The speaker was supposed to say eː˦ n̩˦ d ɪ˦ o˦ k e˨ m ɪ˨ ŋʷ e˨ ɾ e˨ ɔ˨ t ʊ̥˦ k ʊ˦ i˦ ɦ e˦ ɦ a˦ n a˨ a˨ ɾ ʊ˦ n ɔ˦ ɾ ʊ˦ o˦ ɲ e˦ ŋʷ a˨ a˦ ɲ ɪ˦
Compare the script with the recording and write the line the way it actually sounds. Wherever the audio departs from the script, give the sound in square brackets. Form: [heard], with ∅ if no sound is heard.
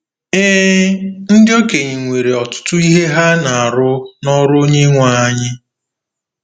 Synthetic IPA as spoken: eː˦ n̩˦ d ɪ˦ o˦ k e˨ [ɲ] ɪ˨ ŋʷ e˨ ɾ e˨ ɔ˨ t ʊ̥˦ [t] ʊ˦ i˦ ɦ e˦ ɦ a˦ n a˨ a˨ ɾ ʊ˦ n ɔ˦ ɾ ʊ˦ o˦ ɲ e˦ ŋʷ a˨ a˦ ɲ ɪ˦